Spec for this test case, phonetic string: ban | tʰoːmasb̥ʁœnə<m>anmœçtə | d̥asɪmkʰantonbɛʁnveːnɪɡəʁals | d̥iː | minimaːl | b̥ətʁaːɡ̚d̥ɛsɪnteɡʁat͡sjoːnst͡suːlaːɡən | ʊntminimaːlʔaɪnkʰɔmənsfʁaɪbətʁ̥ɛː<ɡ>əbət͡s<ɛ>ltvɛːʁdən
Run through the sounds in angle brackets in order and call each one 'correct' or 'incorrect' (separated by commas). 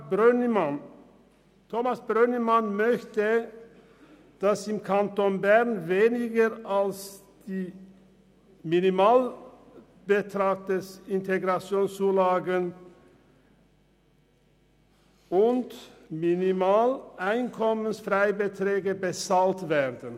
correct, correct, incorrect